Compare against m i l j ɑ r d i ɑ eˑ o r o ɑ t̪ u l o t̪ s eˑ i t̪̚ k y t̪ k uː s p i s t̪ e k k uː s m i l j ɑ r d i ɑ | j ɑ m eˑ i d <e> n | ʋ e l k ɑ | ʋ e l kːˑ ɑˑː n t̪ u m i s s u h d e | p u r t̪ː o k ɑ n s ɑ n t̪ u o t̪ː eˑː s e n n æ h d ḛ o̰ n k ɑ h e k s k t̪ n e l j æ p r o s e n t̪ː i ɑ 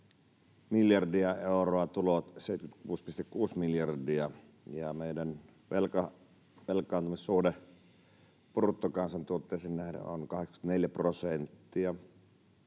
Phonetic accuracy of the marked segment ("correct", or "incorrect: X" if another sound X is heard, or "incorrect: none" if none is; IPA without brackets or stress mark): incorrect: æ